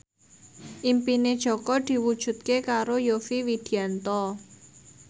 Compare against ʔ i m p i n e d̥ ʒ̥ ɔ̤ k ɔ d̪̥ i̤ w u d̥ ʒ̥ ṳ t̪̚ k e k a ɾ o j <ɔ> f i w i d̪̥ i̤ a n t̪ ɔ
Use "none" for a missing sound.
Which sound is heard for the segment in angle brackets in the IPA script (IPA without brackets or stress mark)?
o